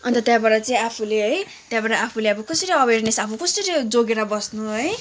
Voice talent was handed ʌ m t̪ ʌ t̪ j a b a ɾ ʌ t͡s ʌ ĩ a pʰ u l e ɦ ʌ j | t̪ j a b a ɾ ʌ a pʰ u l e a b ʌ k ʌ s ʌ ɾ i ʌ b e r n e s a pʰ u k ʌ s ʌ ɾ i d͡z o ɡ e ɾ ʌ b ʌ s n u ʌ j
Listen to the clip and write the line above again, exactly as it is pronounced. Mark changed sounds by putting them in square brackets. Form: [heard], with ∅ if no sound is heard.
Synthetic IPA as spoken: ʌ [n] t̪ ʌ t̪ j a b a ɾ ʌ t͡s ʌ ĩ a pʰ u l e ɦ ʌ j | t̪ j a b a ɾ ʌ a pʰ u l e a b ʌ k ʌ s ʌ ɾ i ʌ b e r n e s a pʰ u k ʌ s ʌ ɾ i d͡z o ɡ e ɾ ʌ b ʌ s n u ʌ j